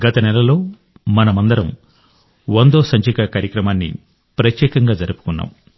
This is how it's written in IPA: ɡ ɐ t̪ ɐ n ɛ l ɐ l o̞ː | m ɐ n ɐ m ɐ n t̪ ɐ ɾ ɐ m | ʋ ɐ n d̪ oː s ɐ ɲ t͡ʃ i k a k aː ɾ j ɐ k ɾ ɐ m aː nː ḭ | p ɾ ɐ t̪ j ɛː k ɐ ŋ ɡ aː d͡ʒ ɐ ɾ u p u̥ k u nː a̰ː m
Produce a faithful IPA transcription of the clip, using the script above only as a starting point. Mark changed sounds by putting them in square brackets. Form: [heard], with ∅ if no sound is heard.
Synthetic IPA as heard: ɡ ɐ t̪ ɐ n ɛ l ɐ l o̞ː | m ɐ n ɐ m ɐ n [d̪] ɐ ɾ ɐ m | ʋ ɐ n d̪ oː s ɐ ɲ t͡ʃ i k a k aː ɾ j ɐ k ɾ ɐ m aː nː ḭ | p ɾ ɐ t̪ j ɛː k ɐ ŋ ɡ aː d͡ʒ ɐ ɾ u p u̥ k u nː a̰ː m